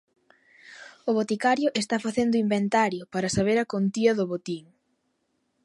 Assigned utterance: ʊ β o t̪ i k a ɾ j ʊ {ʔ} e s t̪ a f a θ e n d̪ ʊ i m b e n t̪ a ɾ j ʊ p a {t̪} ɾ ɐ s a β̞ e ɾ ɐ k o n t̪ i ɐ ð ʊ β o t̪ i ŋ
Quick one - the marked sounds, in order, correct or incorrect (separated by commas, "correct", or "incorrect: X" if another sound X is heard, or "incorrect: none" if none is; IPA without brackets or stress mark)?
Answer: correct, incorrect: none